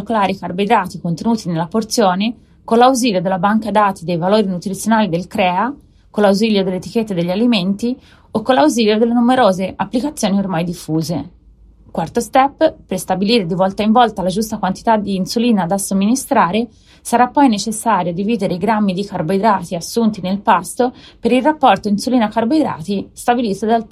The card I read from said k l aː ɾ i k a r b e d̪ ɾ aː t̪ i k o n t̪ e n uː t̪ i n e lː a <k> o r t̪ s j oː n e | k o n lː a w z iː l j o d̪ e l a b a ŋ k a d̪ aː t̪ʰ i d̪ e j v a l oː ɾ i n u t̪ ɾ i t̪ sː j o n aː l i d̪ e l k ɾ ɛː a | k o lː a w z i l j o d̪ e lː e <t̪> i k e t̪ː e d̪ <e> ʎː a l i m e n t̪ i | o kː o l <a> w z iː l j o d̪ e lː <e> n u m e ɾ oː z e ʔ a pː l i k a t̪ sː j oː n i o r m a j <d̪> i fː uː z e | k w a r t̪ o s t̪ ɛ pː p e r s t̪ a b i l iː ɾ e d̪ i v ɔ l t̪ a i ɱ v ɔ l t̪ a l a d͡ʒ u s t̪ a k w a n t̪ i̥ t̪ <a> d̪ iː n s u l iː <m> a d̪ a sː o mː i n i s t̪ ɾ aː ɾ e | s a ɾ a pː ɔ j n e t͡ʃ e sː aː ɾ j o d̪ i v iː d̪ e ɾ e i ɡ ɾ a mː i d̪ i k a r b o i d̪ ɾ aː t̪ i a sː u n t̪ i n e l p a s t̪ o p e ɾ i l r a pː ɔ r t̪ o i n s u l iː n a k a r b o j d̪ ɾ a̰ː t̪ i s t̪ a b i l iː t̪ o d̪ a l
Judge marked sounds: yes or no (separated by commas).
no, yes, yes, yes, yes, yes, yes, no